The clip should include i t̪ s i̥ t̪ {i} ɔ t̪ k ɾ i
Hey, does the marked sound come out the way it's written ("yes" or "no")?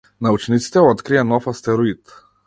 no